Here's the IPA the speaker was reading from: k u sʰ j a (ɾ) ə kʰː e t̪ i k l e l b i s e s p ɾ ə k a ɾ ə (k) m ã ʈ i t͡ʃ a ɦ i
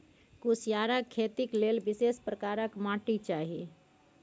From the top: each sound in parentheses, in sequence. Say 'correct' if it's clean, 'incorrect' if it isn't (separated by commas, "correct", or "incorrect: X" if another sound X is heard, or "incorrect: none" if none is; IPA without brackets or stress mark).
correct, correct